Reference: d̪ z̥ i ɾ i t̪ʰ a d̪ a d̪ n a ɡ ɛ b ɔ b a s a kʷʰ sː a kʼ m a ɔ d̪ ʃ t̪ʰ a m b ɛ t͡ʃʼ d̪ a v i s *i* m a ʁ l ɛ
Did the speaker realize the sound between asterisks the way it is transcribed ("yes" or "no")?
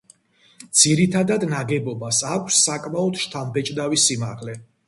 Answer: yes